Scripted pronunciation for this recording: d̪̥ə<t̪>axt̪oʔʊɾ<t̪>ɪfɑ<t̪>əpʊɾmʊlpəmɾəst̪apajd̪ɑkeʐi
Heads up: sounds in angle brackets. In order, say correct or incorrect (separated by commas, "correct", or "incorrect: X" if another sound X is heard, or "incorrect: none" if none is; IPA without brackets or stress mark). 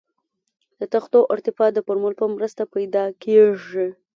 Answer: correct, correct, incorrect: d̪